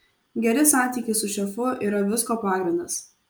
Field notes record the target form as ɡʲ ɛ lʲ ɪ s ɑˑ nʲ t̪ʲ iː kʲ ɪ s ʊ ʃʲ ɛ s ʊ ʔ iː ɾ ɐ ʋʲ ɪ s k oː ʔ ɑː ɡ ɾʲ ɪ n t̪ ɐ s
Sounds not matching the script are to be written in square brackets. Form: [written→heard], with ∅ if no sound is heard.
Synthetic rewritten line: ɡʲ ɛ [lʲ→ɾʲ] ɪ s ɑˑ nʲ t̪ʲ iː kʲ ɪ s ʊ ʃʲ ɛ [s→f] ʊ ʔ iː ɾ ɐ ʋʲ ɪ s k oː [ʔ→p] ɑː ɡ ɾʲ ɪ n [t̪→d̪] ɐ s